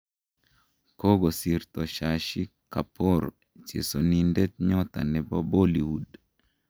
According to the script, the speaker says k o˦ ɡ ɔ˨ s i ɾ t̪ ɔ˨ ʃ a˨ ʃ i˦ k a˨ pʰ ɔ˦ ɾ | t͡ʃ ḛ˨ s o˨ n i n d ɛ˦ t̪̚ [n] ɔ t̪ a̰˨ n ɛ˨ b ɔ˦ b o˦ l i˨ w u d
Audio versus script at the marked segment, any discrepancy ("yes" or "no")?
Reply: yes